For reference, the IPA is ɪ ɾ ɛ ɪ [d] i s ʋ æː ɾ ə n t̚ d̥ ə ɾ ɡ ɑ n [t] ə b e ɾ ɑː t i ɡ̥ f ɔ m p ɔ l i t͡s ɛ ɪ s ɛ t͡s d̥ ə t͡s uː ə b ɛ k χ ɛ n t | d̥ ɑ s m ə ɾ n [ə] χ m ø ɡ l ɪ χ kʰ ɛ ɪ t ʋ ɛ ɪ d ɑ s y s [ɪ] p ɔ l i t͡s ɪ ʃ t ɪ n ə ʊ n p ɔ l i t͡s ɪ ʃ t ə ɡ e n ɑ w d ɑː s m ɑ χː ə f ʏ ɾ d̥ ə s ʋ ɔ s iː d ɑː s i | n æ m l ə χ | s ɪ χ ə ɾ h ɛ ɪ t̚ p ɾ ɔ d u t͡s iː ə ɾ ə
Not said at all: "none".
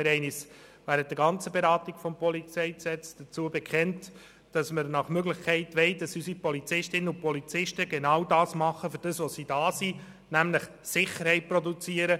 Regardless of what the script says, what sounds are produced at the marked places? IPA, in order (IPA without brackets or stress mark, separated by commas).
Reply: n, t͡s, ɑ, i